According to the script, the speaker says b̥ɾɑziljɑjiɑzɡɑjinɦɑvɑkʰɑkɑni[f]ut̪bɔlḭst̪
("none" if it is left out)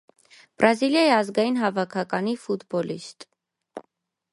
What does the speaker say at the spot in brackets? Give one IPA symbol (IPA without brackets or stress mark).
f